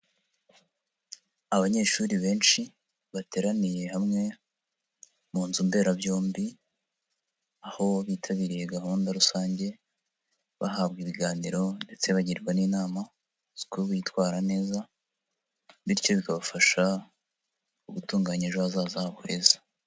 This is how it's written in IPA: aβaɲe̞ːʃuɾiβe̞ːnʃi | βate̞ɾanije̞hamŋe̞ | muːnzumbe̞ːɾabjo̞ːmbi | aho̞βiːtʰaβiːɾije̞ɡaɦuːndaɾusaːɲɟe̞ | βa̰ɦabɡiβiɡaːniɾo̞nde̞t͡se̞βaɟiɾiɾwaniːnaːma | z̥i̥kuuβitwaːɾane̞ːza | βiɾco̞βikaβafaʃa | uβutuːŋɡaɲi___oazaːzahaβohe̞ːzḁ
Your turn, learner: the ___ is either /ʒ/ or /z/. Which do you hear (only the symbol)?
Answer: ʒ